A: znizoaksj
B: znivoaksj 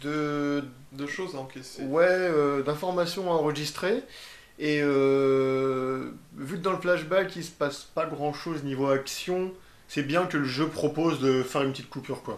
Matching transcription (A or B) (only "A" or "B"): B